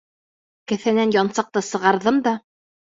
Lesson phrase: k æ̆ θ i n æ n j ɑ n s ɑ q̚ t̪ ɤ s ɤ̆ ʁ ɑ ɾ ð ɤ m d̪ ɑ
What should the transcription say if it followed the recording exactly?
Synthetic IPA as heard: k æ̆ θ æ n æ n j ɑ n s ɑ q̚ t̪ ɤ s ɤ̆ ʁ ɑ ɾ ð ɤ m d̪ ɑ